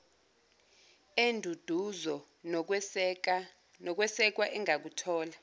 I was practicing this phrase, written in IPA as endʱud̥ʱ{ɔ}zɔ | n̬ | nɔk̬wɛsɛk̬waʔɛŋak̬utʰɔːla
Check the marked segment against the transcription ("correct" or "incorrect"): incorrect